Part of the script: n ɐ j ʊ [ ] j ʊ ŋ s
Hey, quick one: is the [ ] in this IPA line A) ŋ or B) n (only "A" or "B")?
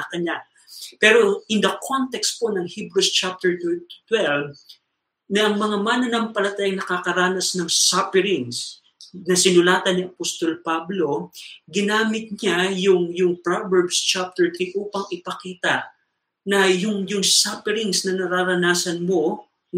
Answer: A